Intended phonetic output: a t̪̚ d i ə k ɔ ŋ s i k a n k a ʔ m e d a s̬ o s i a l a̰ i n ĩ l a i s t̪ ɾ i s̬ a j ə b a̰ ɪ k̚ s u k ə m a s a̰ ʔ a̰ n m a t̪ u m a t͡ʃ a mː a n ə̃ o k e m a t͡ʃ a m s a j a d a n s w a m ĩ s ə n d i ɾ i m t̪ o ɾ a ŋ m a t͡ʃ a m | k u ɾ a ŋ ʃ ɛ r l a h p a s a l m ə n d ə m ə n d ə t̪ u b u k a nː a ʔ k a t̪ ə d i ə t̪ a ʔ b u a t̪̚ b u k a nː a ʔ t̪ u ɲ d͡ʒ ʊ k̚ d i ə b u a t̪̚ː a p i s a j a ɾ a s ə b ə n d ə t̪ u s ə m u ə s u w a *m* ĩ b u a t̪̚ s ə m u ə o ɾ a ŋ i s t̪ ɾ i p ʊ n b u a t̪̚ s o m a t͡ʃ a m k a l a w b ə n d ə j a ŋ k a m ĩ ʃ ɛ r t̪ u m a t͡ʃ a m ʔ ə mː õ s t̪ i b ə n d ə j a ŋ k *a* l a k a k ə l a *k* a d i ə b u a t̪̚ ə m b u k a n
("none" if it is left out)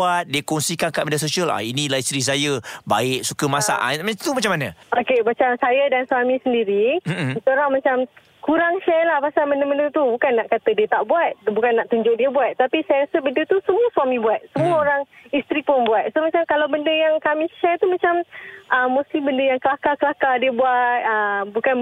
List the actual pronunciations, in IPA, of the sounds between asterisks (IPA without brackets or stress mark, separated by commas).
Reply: m, ə, k